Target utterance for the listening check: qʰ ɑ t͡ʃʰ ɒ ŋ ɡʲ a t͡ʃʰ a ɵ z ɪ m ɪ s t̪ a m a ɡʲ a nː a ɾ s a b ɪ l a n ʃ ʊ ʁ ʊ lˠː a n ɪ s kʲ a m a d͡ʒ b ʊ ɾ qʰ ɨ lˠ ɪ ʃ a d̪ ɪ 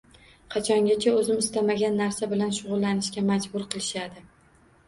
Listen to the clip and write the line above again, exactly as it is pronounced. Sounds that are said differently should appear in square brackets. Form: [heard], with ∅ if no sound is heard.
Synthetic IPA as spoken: qʰ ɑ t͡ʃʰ ɒ ŋ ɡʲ a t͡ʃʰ a ɵ z ɪ m ɪ s t̪ a m a ɡʲ a nː a ɾ s a b ɪ l a n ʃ ʊ ʁ ʊ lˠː a n ɪ [ʃ] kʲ a m a d͡ʒ b ʊ ɾ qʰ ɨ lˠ ɪ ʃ a d̪ ɪ